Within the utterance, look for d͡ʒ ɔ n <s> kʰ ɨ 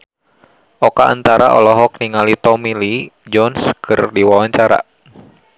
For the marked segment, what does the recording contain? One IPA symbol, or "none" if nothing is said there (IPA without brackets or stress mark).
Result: s